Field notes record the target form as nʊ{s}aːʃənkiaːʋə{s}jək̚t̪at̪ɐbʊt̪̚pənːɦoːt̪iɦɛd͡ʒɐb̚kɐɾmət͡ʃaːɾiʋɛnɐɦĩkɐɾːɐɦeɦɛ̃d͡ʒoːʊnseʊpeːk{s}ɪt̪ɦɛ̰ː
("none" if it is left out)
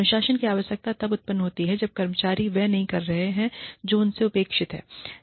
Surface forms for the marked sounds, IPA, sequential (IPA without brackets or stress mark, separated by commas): ʃ, ʃ, ʃ